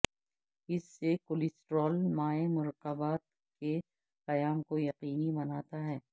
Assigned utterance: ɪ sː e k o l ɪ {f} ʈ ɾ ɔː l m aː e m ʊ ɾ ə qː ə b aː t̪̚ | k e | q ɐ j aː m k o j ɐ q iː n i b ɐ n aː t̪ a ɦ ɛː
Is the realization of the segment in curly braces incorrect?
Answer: yes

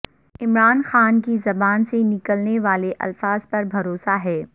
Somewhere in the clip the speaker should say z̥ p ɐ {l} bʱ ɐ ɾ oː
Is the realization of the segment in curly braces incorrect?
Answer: yes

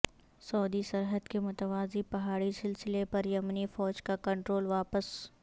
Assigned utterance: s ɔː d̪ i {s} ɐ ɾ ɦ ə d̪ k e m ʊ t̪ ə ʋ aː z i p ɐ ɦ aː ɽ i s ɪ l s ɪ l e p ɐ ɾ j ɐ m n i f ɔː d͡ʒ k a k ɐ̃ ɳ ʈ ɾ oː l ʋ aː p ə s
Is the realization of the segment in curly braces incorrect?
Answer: no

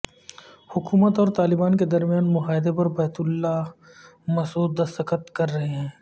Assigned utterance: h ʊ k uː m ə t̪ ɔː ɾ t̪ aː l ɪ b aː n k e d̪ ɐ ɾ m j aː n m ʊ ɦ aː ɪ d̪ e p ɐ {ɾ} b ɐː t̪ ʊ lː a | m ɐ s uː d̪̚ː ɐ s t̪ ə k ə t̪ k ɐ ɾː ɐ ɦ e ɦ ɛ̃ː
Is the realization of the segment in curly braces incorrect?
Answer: no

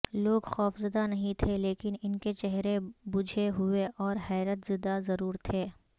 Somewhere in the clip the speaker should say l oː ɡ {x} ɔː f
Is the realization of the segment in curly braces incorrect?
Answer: no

